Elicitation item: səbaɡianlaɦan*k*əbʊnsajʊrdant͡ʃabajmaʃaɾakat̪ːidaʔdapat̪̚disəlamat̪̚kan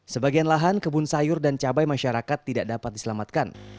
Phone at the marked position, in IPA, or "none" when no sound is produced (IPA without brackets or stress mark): k